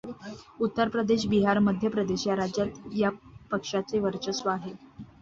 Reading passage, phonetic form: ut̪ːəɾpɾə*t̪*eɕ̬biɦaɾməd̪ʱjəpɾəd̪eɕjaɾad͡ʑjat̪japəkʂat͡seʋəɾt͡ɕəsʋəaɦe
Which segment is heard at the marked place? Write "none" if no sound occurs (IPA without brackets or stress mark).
d̪